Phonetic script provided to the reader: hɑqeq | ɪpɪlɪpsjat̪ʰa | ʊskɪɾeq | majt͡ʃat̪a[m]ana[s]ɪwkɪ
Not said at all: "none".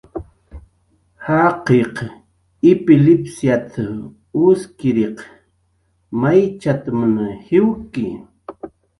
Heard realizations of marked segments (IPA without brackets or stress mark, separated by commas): m, h